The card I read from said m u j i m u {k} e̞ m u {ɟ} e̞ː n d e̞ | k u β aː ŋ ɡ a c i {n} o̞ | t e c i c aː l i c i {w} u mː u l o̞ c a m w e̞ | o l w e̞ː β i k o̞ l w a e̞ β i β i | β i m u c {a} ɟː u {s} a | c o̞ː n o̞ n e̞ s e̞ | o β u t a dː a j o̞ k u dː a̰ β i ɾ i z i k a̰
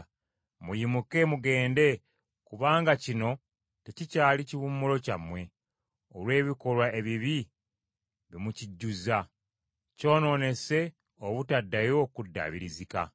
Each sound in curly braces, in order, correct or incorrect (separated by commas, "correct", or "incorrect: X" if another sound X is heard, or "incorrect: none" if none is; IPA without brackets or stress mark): correct, incorrect: ɡ, correct, incorrect: β, incorrect: i, incorrect: z